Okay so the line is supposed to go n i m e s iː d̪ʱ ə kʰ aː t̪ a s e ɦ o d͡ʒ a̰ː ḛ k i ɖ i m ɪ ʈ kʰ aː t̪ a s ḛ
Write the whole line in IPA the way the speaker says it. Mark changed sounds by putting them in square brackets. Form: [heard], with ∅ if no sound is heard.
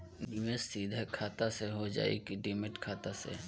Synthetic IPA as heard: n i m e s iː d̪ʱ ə kʰ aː t̪ a s e ɦ o d͡ʒ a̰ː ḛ k i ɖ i m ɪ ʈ kʰ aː t̪ a s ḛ

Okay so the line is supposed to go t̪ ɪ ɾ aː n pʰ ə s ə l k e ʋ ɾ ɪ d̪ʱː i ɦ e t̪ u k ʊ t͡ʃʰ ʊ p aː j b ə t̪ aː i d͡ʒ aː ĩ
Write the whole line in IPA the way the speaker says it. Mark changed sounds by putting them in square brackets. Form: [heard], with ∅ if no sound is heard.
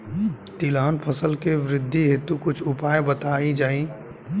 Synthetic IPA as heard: t̪ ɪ [l] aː n pʰ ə s ə l k e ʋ ɾ ɪ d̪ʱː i ɦ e t̪ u k ʊ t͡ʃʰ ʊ p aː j b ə t̪ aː i d͡ʒ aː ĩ

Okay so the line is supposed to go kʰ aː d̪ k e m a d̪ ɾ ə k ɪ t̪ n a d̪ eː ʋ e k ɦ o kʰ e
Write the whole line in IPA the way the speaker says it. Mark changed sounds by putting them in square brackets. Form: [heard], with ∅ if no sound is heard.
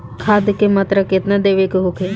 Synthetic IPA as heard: kʰ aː d̪ k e m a [t̪] ɾ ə k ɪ t̪ n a d̪ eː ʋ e k ɦ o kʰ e

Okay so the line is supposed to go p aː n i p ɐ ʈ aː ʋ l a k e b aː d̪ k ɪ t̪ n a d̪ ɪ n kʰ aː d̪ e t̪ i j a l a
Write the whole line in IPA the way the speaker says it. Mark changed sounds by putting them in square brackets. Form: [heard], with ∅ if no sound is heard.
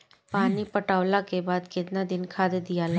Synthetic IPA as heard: p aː n i p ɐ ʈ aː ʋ l a k e b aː d̪ k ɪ t̪ n a d̪ ɪ n kʰ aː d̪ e [d̪] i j a l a

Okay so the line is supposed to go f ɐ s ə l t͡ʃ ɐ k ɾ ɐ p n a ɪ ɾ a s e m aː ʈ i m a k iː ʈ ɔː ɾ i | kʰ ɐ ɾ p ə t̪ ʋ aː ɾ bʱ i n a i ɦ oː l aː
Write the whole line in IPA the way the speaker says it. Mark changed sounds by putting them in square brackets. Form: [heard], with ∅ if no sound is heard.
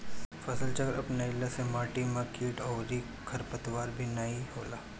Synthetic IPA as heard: f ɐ s ə l t͡ʃ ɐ k ɾ ɐ p n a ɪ [l] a s e m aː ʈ i m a k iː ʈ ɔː ɾ i | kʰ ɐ ɾ p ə t̪ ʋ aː ɾ bʱ i n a i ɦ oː l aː

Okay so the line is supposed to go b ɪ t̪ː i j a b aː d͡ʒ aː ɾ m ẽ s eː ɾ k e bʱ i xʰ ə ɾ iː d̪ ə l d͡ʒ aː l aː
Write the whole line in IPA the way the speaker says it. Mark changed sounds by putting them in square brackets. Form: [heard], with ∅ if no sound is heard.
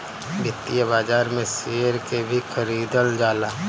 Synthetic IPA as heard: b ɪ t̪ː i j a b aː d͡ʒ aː ɾ m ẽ s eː ɾ k e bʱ i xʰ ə ɾ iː d̪ ə l d͡ʒ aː l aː

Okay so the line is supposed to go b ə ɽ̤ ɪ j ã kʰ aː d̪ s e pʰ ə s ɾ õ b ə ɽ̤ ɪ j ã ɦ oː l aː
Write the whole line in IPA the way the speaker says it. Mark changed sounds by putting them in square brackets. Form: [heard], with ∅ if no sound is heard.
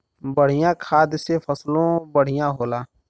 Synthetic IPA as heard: b ə ɽ̤ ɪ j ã kʰ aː d̪ s e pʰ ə s [l] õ b ə ɽ̤ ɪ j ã ɦ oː l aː

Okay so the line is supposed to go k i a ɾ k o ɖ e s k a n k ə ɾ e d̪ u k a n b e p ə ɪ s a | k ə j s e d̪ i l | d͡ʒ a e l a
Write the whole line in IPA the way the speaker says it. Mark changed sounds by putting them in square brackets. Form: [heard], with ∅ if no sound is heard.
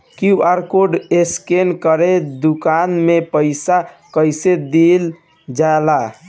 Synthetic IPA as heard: k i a ɾ k o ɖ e s k [e] n k ə ɾ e d̪ u k a n [m] e p ə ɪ s a | k ə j s e d̪ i l | d͡ʒ a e l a

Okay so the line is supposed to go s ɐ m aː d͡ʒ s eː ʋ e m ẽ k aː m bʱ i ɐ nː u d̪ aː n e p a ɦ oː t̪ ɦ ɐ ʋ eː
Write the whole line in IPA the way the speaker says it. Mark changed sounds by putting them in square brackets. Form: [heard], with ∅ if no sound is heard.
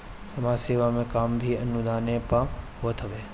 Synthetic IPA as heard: s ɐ m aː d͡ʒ s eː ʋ [a] m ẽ k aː m bʱ i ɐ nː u d̪ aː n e p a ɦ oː t̪ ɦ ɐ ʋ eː

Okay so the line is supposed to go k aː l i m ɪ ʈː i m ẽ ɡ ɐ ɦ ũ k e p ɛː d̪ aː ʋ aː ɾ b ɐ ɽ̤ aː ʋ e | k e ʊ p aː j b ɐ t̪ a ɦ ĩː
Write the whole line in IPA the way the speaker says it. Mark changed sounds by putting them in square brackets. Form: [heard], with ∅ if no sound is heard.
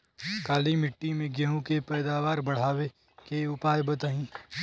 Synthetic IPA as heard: k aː l i m ɪ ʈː i m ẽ ɡ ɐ ɦ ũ k e p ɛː d̪ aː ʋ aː ɾ b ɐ ɽ̤ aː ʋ e | k e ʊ p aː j b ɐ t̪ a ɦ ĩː

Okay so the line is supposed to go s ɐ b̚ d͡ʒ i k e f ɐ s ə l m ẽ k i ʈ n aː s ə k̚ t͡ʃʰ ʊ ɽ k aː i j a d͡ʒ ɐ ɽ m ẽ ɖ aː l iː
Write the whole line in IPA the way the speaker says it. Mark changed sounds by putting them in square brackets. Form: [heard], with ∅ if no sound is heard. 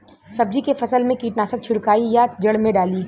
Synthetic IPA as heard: s ɐ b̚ d͡ʒ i k e f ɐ s ə l m ẽ k [iː] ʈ n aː s ə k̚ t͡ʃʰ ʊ ɽ k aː i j a d͡ʒ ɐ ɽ m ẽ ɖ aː l iː

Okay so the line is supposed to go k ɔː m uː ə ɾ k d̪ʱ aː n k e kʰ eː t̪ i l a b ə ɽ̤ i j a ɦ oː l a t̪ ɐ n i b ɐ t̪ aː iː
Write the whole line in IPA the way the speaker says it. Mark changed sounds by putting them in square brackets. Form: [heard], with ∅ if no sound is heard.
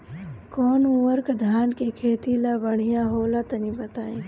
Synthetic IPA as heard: k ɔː [n] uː ə ɾ k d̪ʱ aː n k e kʰ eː t̪ i l a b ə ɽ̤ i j a ɦ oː l a t̪ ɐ n i b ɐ t̪ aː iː

